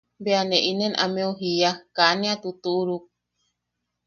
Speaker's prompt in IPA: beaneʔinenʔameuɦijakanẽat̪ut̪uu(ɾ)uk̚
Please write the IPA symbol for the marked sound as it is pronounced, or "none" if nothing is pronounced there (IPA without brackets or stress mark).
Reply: ɾ